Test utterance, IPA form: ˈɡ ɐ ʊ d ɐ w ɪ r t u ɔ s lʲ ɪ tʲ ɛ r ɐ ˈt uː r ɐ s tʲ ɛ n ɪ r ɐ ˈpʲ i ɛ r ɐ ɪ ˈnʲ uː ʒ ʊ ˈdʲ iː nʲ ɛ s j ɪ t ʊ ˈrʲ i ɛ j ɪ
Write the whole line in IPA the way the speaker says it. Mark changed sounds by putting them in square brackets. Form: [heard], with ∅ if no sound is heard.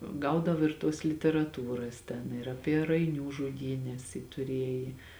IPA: ˈɡ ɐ ʊ d ɐ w ɪ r t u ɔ s lʲ ɪ tʲ ɛ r ɐ ˈt uː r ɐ s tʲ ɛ n ɪ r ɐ ˈpʲ i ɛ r ɐ ɪ ˈnʲ uː ʒ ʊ ˈdʲ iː nʲ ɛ s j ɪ t ʊ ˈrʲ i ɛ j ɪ